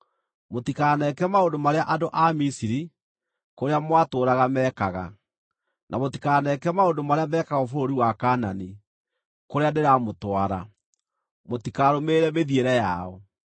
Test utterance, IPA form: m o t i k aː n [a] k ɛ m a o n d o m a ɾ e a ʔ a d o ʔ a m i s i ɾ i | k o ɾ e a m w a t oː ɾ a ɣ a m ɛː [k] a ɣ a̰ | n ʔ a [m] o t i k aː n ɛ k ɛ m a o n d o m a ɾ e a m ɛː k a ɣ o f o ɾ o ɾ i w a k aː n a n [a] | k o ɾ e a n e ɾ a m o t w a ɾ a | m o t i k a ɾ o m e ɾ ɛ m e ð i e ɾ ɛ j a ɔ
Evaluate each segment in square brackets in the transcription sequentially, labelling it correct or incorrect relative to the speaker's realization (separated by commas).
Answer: incorrect, correct, correct, incorrect